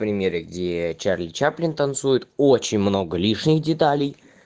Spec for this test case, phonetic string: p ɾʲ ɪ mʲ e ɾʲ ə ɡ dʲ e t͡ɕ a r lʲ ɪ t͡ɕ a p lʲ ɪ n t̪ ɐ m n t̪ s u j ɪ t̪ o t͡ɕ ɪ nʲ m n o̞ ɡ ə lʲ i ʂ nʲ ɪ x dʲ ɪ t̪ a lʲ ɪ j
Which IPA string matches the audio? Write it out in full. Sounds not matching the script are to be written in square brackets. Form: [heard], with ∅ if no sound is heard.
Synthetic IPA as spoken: p ɾʲ ɪ mʲ e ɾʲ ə ɡ dʲ e t͡ɕ a r lʲ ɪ t͡ɕ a p lʲ ɪ n t̪ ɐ [∅] n t̪ s u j ɪ t̪ o t͡ɕ ɪ nʲ m n o̞ ɡ ə lʲ i ʂ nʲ ɪ x dʲ ɪ t̪ a lʲ ɪ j